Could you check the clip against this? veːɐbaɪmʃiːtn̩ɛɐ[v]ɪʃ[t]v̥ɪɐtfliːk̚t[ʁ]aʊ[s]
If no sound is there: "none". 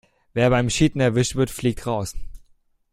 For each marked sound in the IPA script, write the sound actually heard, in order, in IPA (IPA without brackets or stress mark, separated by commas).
v, t, ʁ, s